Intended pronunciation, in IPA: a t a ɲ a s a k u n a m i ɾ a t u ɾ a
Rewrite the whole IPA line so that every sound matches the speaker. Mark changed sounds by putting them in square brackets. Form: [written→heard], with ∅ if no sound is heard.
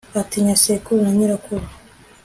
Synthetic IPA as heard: a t [a→i] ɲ a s [a→e] k u n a [m→ɲ] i ɾ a [t→k] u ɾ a

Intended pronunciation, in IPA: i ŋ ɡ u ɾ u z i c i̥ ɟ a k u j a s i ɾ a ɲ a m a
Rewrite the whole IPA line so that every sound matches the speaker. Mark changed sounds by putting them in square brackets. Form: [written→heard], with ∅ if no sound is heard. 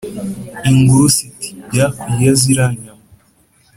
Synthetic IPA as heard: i ŋ ɡ u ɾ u [z→s] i [c→t] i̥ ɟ a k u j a [s→z] i ɾ a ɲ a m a

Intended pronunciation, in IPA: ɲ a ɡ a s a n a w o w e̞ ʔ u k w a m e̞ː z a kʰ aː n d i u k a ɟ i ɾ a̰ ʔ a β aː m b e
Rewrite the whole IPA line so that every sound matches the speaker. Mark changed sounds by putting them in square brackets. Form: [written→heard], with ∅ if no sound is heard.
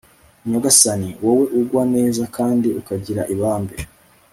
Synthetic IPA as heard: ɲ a ɡ a s a n [a→i] w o w e̞ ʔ u [k→ɡ] w a [m→n] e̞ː z a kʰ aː n d i u k a ɟ i ɾ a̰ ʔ [a→i] β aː m b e

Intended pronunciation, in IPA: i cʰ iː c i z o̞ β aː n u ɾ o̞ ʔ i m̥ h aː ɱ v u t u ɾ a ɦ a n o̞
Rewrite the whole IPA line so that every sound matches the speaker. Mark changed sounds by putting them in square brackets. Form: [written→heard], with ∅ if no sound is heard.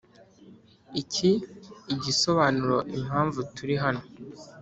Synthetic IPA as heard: i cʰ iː [c→ɟ] i [z→s] o̞ β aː n u ɾ o̞ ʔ i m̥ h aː ɱ v u t u ɾ [a→i] ɦ a n o̞

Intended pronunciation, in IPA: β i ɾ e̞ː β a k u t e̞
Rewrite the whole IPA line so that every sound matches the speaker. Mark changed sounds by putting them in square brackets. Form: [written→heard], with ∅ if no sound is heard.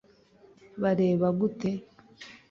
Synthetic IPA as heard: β [i→a] ɾ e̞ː β a [k→ɡ] u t e̞

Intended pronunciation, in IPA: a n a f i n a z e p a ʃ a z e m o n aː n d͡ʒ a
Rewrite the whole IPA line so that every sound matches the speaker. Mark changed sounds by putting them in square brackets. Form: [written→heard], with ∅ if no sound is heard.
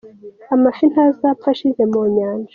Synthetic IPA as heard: a [n→m] a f i n a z [e→a] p a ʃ [a→i] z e m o [n→ɲ] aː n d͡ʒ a

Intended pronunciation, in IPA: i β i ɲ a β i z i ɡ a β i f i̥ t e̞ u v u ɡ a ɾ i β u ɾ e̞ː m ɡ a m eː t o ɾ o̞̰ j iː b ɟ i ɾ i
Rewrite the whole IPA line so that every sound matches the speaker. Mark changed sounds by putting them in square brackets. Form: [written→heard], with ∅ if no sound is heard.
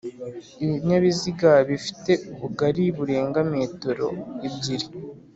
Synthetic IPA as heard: i β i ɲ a β i z i ɡ a β i f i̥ t e̞ u [v→β] u ɡ a ɾ i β u ɾ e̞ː [m→ŋ] ɡ a m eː t o ɾ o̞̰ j [iː→i] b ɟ i ɾ i

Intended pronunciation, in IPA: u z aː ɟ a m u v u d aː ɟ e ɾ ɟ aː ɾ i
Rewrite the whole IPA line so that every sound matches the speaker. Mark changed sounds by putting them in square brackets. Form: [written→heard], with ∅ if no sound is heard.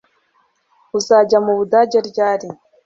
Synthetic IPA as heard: u z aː ɟ a m u [v→β] u d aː ɟ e ɾ ɟ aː ɾ i

